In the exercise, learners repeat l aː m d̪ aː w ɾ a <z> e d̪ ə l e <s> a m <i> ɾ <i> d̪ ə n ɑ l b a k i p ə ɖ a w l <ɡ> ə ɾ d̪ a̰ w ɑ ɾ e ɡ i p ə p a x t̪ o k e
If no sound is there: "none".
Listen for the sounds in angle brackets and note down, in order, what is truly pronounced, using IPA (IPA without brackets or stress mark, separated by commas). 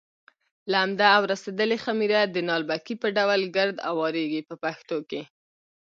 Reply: s, x, i, a, ɡ